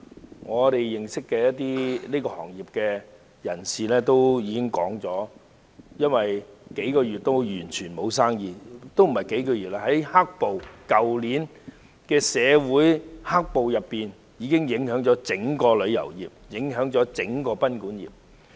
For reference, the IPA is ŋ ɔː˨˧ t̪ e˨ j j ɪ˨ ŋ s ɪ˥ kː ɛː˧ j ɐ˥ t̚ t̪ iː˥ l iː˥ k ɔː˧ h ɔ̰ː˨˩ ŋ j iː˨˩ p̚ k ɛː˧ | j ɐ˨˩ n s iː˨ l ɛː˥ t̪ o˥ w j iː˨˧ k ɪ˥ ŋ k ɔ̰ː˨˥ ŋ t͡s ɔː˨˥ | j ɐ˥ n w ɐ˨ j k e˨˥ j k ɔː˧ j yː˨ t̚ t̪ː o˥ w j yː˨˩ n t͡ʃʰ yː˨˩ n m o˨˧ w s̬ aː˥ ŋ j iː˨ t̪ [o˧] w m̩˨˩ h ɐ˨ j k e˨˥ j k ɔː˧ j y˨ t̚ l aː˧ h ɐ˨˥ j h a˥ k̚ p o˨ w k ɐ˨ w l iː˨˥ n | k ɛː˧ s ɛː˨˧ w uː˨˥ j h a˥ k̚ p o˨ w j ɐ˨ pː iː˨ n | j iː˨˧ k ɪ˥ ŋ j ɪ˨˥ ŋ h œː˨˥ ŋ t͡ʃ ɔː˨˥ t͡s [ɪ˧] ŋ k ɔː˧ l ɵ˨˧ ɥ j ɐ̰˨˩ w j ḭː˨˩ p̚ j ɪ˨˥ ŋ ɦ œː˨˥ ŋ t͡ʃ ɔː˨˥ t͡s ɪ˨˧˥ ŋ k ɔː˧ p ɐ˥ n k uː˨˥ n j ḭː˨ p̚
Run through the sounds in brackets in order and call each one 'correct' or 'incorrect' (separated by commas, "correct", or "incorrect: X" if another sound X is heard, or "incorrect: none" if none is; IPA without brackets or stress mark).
incorrect: o˥, incorrect: ɪ˨˥